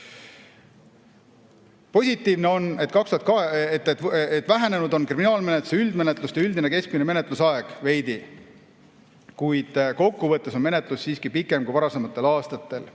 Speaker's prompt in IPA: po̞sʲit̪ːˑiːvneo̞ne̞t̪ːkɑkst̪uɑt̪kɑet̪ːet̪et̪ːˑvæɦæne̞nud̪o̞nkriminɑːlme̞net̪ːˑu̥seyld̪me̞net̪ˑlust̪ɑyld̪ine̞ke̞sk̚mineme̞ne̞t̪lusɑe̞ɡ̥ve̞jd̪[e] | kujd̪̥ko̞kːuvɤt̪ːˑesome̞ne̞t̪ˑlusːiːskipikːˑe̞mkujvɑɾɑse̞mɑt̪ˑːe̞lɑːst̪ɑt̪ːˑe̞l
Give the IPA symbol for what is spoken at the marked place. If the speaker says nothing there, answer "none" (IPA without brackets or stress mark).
i